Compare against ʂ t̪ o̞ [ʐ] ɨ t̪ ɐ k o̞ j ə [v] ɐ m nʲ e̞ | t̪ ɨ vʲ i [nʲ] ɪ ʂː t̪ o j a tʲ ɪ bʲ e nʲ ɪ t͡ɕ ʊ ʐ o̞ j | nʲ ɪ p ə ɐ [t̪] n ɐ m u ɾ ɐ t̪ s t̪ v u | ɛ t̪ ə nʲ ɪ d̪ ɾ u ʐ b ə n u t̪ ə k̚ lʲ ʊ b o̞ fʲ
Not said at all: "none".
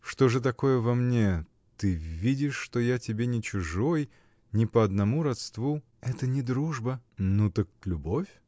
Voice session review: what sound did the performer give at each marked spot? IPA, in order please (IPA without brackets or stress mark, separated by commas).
ʐ, v, dʲ, d̪